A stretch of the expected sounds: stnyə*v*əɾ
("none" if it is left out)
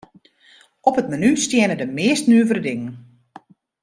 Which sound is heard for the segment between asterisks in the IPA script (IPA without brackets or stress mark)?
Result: v